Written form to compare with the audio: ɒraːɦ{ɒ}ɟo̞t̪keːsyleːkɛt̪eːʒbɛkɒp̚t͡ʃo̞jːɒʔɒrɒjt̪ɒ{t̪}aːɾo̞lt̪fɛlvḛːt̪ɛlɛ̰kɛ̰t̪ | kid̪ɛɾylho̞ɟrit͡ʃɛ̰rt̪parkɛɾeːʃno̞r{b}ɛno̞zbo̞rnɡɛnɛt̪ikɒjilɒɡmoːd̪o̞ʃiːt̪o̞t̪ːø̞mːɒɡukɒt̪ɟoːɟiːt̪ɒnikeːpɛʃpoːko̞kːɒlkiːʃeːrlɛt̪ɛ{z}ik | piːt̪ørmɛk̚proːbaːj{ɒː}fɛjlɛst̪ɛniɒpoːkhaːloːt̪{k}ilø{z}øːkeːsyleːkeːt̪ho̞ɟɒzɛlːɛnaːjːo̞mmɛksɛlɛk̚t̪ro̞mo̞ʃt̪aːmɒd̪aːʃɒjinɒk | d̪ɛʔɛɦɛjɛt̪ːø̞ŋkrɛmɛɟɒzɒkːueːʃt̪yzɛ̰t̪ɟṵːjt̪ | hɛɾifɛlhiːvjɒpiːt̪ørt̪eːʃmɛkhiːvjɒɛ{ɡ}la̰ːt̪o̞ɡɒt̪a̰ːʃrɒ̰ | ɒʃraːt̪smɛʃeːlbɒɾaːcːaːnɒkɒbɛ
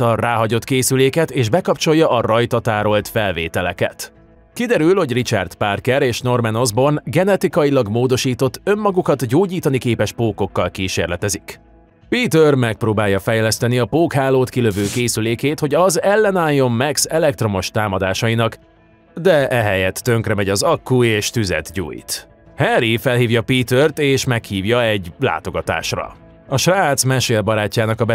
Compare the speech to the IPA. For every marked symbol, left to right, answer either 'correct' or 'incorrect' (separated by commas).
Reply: correct, correct, incorrect, correct, incorrect, correct, incorrect, incorrect